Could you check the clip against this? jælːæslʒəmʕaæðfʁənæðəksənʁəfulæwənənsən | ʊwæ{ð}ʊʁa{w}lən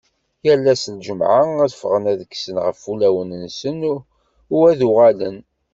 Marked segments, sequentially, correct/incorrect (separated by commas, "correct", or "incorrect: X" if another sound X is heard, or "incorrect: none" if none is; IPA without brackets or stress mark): correct, incorrect: none